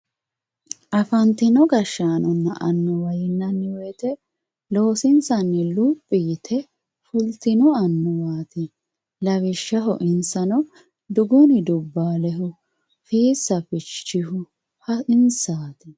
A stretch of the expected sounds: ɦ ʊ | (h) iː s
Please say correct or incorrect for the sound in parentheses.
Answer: incorrect